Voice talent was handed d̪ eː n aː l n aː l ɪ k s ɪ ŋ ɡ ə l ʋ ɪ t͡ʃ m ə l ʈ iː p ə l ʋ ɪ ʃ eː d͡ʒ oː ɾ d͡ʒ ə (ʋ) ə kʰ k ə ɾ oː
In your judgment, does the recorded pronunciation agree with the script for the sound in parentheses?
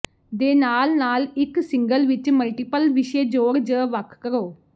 yes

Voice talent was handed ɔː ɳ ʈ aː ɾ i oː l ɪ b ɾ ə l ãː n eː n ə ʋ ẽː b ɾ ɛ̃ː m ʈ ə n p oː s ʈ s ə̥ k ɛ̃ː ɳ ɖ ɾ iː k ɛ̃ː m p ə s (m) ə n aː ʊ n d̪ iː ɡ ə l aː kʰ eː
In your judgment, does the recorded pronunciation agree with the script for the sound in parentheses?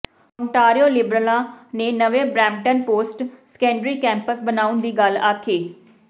no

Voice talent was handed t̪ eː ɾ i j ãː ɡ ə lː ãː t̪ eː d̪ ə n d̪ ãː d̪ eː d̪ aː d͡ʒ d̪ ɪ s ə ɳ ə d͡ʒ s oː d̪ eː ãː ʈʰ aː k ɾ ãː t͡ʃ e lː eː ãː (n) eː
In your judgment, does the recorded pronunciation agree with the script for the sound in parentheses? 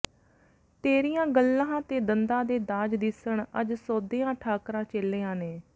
yes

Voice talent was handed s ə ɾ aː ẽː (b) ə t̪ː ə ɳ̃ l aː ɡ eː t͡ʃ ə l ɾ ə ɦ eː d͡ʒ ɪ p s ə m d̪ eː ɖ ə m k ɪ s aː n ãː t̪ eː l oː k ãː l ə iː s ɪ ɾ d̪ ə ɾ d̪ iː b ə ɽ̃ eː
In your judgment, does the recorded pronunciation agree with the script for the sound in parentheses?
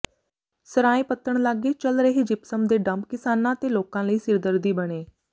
no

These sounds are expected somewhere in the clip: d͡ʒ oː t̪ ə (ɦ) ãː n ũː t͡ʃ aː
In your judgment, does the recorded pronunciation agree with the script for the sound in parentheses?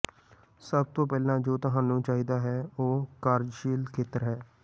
yes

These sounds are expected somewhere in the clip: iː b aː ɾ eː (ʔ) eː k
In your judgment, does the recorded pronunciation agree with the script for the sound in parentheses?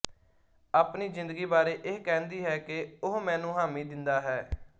yes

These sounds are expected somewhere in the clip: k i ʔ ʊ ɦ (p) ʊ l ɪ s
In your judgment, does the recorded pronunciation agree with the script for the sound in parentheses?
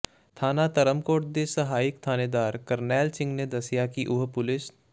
yes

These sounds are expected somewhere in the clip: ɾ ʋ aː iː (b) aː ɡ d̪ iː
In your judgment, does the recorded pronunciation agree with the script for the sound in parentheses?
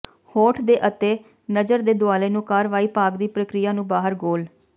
no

